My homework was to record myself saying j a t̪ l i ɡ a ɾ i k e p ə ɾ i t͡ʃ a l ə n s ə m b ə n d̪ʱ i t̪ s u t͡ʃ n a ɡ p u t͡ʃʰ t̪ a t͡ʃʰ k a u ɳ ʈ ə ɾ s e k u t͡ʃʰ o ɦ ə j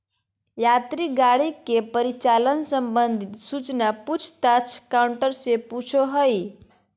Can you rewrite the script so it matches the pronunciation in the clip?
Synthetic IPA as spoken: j a t̪ ɾ i ɡ a ɽ i k e p ə ɾ i t͡ʃ a l ə n s ə m b ə n d̪ʱ i t̪ s u t͡ʃ n a p u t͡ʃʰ t̪ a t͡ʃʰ k a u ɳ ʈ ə ɾ s e p u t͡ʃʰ o ɦ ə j